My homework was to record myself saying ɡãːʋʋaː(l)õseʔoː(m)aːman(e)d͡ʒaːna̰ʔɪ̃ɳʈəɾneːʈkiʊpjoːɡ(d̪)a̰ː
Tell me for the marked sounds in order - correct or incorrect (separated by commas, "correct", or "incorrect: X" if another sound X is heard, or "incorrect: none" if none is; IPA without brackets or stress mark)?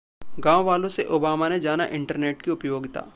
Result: correct, incorrect: b, correct, incorrect: t̪